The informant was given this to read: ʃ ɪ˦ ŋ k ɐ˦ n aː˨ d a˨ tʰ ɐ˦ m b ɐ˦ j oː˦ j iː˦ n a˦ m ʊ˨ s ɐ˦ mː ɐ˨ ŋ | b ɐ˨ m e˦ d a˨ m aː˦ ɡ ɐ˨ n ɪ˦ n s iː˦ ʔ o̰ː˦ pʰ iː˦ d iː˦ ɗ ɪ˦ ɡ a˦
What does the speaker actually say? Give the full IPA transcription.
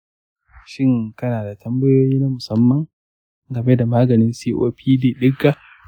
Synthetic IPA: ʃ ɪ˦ ŋ k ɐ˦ n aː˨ d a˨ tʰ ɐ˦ m b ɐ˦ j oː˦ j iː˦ n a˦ m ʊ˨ s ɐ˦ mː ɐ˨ ŋ | ɡ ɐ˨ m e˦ d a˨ m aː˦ ɡ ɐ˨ n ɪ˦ n s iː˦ ʔ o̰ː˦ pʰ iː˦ d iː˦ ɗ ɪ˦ ɡ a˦